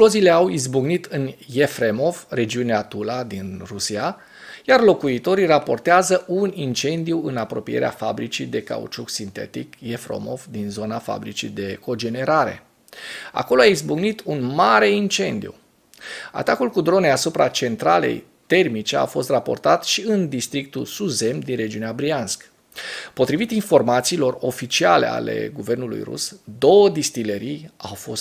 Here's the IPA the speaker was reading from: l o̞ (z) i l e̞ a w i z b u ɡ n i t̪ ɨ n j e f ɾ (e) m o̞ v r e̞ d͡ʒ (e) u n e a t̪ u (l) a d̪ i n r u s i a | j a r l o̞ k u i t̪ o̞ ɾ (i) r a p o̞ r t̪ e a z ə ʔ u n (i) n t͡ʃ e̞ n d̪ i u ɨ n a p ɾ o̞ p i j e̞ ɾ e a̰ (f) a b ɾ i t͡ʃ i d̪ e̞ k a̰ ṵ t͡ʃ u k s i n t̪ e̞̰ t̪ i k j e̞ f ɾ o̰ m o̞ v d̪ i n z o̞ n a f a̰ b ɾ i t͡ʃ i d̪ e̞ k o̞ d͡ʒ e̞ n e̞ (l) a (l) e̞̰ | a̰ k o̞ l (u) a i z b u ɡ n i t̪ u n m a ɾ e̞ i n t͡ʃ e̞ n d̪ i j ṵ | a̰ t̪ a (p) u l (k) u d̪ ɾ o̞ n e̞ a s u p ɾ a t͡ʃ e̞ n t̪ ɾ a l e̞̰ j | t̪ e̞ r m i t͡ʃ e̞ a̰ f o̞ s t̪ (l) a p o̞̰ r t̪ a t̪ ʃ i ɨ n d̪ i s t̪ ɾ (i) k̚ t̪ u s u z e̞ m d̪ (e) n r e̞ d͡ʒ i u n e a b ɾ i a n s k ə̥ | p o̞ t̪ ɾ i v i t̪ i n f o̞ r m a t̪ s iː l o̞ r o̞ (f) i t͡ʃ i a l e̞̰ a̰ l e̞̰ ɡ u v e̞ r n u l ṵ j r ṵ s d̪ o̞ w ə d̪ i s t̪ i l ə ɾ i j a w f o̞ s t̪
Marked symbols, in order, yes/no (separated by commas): yes, yes, no, yes, yes, yes, yes, no, no, no, no, yes, no, yes, no, yes